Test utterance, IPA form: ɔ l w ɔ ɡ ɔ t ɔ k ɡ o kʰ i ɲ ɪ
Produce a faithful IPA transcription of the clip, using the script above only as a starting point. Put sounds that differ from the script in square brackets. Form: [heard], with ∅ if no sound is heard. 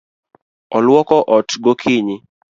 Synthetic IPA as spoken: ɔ l w ɔ [k] ɔ [ʔ] ɔ [t] ɡ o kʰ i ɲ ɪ